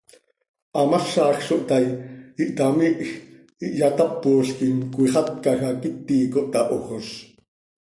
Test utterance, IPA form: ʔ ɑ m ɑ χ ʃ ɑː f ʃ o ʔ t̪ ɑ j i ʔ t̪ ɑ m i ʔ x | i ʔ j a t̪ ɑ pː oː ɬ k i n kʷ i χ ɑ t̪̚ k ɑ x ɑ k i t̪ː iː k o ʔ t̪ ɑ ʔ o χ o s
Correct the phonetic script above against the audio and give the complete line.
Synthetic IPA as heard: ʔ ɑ m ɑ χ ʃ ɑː x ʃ o ʔ t̪ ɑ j i ʔ t̪ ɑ m i ʔ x | i ʔ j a t̪ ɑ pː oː ɬ k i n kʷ i χ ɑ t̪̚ k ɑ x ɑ k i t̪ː iː k o ʔ t̪ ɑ ʔ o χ o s